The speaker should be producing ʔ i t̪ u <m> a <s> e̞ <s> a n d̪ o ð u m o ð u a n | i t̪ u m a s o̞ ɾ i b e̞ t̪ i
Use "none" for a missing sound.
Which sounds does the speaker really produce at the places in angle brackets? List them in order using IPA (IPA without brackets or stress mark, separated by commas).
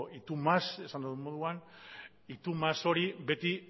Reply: m, s, s